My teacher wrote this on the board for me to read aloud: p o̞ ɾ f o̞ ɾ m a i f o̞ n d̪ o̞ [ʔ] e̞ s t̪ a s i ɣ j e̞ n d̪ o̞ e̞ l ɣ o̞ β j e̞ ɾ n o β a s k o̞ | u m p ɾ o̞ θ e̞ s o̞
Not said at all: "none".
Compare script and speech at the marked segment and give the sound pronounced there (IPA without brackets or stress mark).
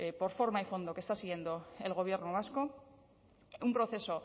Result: k